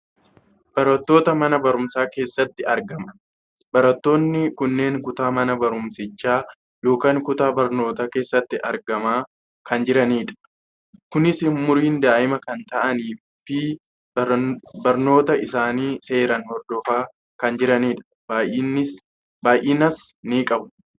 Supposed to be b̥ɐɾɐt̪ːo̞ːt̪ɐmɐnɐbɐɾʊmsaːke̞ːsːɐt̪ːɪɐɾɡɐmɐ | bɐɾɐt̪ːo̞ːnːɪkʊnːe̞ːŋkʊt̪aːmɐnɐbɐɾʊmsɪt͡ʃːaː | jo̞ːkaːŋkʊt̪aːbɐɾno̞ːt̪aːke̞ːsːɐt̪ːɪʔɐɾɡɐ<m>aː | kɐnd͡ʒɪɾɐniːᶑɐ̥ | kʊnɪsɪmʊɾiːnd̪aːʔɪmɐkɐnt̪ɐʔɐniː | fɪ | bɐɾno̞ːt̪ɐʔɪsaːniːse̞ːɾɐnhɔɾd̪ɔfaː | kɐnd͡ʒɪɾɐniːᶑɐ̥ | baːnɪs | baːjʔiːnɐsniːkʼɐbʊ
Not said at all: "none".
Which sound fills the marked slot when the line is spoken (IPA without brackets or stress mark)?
m